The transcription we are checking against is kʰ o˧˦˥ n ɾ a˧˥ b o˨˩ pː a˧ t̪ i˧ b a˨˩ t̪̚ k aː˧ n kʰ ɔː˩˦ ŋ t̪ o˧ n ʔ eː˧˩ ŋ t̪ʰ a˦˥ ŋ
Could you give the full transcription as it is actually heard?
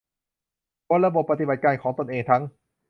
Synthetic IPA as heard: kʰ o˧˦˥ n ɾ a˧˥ b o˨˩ pː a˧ t̪ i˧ b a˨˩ t̪̚ k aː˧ n kʰ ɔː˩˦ ŋ t̪ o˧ n ʔ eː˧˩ ŋ t̪ʰ a˦˥ ŋ